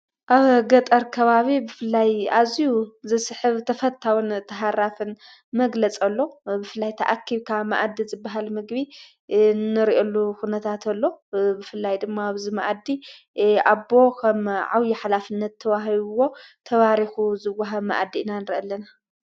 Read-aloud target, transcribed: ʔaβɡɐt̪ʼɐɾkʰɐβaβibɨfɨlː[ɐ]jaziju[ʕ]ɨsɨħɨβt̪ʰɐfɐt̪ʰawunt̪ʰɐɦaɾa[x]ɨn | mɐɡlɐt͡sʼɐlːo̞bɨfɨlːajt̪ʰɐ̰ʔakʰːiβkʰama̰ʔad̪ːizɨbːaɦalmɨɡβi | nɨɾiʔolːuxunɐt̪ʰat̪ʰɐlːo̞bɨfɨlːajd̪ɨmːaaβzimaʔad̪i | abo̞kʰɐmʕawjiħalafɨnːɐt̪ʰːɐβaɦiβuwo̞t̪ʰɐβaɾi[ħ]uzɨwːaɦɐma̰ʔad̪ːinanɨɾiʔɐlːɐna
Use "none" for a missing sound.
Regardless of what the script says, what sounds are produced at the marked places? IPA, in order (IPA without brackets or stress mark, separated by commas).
a, z, f, x